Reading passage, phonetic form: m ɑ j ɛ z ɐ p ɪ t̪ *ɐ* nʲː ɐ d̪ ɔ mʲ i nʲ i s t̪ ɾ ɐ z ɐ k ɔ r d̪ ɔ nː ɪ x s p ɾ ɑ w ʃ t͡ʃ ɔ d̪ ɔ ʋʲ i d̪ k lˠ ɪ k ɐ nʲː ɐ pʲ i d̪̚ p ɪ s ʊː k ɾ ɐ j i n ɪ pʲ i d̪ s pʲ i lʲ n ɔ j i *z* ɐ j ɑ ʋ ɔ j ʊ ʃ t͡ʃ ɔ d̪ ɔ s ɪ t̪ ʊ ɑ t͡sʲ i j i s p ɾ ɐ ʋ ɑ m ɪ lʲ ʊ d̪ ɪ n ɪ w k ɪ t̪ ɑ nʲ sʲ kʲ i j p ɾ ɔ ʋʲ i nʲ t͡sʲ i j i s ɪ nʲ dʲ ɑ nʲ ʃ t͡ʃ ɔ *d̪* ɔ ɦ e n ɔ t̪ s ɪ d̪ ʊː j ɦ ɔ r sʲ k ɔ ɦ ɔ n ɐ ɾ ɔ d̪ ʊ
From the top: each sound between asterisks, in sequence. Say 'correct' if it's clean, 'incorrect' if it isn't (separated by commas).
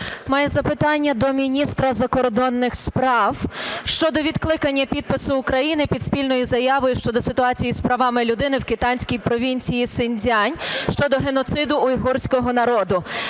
incorrect, correct, correct